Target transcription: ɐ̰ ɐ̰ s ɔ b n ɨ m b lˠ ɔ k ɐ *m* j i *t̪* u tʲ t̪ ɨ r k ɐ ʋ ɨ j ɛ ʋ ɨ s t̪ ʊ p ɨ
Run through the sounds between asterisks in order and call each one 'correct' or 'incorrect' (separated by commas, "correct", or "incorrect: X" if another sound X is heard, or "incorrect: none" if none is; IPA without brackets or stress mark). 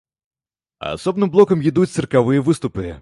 correct, incorrect: d̪